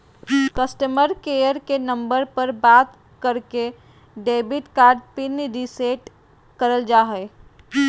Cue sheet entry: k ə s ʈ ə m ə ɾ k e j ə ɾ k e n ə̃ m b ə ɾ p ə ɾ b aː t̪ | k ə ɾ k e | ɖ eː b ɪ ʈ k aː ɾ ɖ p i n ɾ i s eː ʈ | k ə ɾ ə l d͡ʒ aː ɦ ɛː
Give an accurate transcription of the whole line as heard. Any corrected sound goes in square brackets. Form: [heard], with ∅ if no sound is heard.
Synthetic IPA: k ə s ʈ ə m ə ɾ k e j ə ɾ k e n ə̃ m b ə ɾ p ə ɾ b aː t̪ | k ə ɾ k e | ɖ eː b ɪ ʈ k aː ɾ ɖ p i n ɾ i s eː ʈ | k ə ɾ ə l d͡ʒ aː ɦ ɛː